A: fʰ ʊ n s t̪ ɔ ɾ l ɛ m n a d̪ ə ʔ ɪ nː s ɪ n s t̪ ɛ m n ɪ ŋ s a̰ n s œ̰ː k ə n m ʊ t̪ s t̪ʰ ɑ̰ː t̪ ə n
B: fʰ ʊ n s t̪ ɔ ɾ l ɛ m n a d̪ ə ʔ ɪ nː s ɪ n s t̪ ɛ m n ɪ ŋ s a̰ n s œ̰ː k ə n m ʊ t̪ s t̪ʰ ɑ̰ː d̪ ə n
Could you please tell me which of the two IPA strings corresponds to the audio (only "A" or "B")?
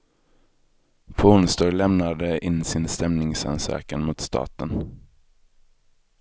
A